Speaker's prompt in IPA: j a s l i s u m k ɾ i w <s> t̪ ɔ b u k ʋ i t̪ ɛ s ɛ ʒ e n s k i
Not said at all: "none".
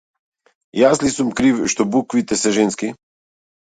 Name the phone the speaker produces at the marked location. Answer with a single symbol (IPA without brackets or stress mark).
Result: ʃ